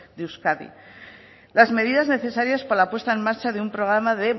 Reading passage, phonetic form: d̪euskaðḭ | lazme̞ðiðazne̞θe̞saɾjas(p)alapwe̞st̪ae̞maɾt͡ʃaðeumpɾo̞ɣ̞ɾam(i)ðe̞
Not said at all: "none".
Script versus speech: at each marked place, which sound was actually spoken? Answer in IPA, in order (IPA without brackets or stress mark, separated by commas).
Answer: p, a